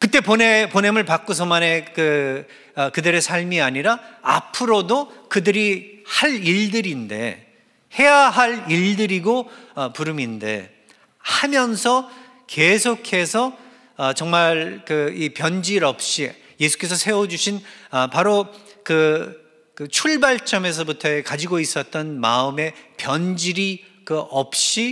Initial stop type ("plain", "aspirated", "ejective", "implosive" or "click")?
plain